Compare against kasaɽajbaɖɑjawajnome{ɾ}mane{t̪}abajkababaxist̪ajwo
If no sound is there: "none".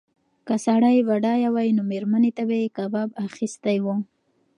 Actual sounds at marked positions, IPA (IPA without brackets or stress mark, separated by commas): ɾ, t̪